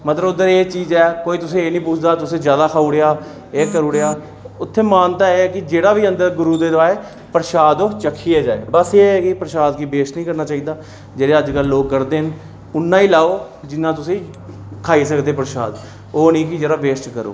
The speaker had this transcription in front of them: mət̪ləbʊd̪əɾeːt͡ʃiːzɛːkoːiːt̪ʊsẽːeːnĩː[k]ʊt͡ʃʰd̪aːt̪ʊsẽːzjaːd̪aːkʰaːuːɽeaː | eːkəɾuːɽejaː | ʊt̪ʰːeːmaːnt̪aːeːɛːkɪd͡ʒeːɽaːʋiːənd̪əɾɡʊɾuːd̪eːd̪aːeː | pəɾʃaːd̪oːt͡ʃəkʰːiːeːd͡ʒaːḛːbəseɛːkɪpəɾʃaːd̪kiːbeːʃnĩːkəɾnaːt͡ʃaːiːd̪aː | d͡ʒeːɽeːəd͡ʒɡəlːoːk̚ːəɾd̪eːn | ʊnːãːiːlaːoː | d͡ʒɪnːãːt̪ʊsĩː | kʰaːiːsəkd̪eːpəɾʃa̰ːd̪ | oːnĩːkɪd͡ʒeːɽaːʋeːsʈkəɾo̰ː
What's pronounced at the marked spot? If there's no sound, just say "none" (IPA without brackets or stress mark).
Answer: p